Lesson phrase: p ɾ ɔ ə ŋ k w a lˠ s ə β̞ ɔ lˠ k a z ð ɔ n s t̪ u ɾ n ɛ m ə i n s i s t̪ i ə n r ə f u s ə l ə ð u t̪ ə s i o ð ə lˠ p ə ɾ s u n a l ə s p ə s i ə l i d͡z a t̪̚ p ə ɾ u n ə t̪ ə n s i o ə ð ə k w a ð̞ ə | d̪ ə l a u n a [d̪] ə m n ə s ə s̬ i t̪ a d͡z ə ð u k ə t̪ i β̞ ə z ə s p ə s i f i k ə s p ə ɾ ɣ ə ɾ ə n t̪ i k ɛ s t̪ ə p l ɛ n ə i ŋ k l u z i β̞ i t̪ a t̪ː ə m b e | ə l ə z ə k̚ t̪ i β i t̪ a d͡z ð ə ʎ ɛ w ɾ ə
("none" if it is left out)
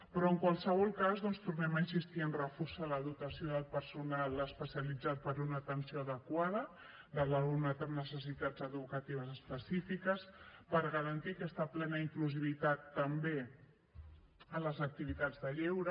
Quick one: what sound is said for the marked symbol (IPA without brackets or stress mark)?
t̪